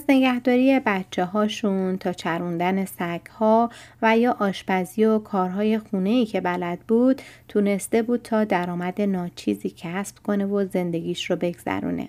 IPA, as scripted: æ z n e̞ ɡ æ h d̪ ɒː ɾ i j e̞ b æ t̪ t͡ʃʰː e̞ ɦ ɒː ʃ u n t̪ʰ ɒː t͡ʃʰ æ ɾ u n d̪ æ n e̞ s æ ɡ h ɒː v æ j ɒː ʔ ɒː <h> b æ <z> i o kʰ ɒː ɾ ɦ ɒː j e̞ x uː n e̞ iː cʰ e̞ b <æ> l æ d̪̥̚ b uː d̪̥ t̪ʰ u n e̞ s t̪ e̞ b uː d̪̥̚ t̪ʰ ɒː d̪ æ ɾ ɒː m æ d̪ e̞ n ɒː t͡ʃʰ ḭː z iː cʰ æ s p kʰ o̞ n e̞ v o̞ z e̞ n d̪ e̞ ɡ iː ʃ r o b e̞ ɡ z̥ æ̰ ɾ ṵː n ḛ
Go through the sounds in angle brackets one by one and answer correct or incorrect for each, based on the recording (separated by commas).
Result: incorrect, correct, correct